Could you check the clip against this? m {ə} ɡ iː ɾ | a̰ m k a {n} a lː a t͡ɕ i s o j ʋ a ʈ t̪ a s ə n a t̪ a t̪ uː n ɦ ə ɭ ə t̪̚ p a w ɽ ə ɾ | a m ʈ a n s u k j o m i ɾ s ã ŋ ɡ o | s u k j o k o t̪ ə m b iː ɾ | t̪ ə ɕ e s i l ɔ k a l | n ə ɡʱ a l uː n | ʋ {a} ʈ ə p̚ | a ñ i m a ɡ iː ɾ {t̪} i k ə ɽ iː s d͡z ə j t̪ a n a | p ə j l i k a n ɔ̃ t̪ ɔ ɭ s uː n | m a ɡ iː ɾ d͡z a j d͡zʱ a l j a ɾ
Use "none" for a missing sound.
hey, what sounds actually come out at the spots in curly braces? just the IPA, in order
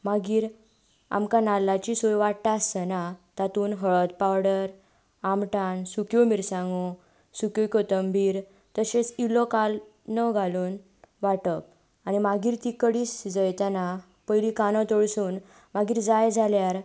a, n, a, t̪

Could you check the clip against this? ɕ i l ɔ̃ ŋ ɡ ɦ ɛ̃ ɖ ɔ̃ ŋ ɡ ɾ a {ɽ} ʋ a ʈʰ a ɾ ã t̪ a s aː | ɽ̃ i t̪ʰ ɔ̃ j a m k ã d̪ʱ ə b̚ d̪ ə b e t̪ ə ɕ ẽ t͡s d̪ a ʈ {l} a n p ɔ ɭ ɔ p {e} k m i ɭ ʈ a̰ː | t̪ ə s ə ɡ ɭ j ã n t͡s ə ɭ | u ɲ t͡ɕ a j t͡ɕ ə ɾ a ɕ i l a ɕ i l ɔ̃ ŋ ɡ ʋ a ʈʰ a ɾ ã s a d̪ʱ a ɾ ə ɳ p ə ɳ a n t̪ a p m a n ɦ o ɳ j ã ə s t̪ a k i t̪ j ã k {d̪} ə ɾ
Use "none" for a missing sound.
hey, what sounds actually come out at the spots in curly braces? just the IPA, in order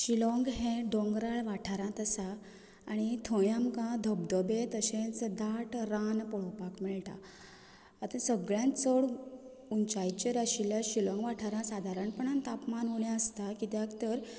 ɭ, ɾ, a, t̪

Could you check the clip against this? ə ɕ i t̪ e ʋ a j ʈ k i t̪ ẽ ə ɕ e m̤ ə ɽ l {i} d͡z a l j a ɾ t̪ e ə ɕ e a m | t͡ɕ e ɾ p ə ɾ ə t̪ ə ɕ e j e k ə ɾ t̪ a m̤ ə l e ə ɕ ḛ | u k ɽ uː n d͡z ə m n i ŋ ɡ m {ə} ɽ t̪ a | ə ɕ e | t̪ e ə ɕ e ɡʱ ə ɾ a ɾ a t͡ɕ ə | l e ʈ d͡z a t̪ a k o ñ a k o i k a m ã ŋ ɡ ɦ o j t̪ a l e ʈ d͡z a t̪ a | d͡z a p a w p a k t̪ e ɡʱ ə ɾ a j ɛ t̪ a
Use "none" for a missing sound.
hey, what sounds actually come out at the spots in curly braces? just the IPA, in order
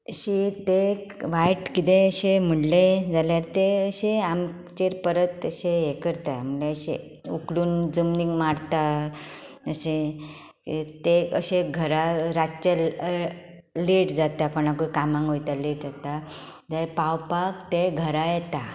e, a

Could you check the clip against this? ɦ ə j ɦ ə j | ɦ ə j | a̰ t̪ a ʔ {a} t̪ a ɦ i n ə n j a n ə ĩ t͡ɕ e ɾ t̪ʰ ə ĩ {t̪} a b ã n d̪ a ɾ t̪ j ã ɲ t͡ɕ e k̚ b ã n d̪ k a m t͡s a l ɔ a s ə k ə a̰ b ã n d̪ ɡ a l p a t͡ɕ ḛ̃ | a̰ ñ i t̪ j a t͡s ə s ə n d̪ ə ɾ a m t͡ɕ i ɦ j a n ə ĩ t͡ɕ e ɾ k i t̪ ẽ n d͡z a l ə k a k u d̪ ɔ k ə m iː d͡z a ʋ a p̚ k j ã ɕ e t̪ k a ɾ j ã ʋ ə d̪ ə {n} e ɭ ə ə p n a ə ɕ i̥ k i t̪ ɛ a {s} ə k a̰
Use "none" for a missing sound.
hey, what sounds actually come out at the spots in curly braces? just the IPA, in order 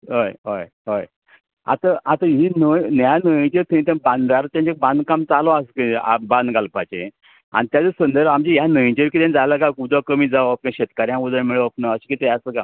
a, t̪, m, s

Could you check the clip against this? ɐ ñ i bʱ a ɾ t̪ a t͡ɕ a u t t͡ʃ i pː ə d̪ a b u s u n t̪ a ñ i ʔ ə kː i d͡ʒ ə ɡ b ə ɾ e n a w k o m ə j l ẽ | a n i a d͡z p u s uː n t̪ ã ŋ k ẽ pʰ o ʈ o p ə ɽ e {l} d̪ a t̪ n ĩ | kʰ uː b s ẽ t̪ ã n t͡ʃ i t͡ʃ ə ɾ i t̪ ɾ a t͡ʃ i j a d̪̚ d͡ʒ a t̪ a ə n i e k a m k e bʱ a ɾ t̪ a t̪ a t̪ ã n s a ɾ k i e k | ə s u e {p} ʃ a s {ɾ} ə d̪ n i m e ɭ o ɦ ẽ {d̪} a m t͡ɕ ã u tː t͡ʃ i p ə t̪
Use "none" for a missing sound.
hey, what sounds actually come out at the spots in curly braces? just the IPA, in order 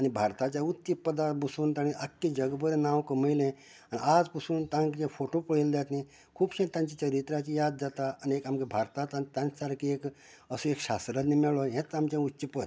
l, k, ɾ, t̪

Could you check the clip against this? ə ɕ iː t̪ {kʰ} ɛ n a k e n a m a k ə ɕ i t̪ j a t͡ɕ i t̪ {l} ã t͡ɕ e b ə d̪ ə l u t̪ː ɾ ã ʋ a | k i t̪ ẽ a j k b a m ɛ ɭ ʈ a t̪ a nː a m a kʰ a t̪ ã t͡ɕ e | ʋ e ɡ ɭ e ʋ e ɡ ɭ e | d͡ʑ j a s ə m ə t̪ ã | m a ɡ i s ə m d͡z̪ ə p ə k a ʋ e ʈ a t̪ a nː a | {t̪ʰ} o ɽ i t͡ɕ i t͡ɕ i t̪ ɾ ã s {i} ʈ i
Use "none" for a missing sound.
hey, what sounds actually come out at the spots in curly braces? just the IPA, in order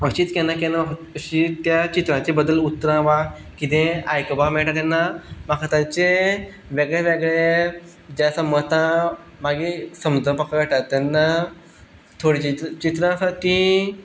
k, ɾ, t̪ʰ, a

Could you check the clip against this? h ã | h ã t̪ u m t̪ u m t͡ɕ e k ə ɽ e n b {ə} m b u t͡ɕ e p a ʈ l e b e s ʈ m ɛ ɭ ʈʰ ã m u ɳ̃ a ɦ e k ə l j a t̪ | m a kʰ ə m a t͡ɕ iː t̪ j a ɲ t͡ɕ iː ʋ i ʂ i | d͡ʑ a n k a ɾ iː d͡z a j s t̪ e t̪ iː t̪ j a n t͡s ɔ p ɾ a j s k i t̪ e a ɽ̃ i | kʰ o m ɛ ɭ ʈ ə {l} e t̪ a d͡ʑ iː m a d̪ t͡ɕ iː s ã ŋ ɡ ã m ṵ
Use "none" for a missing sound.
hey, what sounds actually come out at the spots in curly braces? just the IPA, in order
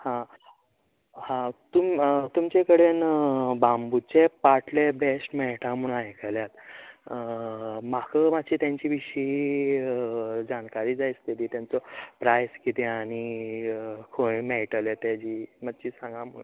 a, l

